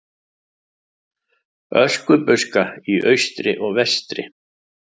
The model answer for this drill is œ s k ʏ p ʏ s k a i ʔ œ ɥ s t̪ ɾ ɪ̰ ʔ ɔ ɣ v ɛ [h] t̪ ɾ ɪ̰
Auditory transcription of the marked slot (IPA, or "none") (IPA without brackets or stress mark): s